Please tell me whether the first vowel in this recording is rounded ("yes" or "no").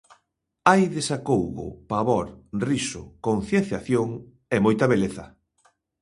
no